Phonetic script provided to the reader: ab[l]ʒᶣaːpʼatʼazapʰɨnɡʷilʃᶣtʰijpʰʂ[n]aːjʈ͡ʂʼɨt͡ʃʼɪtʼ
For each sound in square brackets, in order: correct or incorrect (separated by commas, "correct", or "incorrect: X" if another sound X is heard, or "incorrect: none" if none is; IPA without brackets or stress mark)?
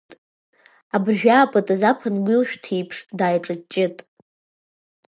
incorrect: r, incorrect: d